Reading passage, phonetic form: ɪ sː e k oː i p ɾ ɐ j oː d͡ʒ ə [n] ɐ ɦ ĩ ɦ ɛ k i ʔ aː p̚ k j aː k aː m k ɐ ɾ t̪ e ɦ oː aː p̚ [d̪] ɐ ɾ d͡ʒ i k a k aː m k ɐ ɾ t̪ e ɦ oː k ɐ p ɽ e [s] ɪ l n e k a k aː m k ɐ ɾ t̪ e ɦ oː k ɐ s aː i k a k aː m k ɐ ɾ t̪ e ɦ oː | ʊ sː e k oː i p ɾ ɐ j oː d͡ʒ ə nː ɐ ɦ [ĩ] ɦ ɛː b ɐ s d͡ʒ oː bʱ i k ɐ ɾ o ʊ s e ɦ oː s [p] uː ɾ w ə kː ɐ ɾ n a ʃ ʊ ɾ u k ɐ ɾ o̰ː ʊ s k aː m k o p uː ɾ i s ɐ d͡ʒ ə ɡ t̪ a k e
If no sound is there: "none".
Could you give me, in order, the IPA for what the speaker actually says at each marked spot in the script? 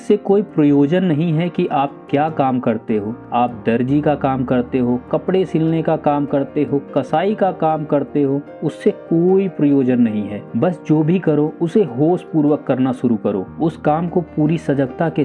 nː, d̪, s, ĩ, p

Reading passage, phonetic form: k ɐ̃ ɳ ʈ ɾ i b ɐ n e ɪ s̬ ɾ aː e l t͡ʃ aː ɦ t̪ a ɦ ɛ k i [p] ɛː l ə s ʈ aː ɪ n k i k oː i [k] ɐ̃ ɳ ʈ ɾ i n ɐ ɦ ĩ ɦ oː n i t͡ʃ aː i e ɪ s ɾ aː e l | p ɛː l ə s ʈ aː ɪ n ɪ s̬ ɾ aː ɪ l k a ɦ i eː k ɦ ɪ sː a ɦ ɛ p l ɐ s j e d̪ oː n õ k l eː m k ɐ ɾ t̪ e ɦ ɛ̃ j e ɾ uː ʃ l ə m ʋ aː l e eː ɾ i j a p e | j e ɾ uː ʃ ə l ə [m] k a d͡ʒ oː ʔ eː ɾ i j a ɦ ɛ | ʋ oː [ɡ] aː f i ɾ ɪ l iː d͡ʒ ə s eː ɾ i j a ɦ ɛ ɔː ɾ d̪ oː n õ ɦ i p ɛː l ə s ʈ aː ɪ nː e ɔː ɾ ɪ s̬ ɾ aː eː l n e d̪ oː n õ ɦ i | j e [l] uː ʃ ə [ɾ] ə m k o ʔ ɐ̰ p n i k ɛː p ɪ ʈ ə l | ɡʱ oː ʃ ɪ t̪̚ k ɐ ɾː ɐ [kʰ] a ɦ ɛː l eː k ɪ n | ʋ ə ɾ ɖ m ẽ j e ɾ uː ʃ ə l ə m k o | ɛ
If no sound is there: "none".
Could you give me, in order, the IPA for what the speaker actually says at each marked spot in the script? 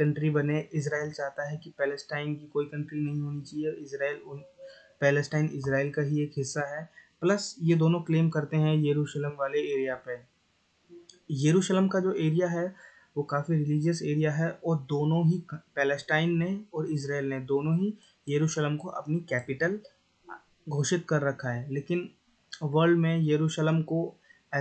p, k, m, k, ɾ, l, kʰ

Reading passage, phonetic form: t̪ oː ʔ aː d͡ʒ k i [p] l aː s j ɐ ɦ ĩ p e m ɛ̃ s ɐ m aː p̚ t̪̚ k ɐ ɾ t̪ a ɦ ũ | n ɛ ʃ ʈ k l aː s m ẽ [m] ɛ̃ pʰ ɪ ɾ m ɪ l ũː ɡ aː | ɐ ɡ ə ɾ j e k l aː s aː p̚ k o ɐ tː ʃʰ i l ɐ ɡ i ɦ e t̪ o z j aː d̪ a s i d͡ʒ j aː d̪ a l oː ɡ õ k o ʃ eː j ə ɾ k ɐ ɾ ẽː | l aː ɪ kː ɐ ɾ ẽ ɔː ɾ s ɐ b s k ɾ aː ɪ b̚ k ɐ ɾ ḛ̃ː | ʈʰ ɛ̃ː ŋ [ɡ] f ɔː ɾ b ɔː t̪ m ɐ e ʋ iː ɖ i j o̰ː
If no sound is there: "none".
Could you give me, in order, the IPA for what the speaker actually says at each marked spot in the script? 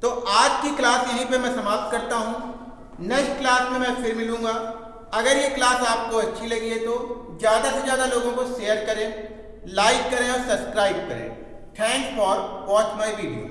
k, m, k

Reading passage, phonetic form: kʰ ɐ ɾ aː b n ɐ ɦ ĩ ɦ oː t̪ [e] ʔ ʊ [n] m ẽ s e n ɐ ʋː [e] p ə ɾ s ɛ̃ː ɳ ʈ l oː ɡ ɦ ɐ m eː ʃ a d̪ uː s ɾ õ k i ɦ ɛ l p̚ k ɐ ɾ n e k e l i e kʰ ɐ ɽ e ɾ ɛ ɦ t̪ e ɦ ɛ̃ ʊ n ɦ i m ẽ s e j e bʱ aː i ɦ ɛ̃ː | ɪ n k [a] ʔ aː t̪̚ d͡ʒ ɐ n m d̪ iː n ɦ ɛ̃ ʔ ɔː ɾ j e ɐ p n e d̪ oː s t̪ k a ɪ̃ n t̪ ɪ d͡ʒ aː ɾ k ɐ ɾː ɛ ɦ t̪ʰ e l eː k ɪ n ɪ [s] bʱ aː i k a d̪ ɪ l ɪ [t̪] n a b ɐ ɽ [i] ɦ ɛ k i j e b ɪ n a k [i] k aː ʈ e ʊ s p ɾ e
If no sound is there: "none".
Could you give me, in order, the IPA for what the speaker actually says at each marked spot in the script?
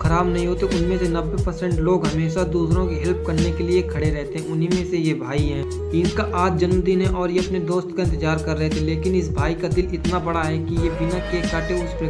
e, n, e, a, s, t̪, a, e

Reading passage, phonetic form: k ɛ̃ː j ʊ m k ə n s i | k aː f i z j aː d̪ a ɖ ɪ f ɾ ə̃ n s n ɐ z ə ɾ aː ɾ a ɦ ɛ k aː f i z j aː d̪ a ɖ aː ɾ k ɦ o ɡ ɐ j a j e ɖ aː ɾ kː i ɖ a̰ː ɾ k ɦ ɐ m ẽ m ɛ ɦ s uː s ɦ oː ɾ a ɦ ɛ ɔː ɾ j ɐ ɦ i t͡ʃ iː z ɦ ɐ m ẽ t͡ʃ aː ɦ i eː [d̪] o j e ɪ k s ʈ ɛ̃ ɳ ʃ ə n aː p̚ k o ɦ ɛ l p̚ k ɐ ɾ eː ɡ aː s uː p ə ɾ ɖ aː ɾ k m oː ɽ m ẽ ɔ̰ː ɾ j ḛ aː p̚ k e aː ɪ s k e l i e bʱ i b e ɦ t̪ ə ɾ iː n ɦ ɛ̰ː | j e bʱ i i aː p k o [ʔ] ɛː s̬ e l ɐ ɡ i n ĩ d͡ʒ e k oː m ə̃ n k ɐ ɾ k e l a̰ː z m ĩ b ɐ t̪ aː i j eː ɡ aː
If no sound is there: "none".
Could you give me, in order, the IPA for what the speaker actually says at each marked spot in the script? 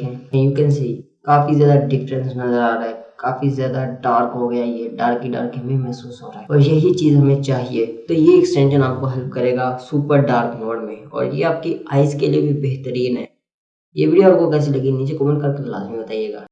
t̪, k

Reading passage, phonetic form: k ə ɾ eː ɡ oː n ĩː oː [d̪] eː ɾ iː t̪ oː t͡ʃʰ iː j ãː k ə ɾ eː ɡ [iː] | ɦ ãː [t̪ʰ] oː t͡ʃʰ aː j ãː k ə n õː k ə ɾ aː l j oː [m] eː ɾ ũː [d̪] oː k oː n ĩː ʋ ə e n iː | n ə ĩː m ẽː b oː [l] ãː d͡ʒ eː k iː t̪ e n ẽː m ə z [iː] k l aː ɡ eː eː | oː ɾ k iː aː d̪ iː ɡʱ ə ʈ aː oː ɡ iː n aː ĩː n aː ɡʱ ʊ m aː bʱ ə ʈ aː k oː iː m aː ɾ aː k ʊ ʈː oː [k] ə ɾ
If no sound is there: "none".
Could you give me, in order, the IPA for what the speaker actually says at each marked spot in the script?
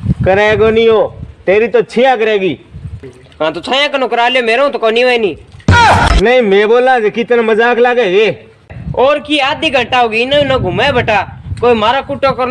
t̪, iː, t̪, m, t̪, l, aː, k

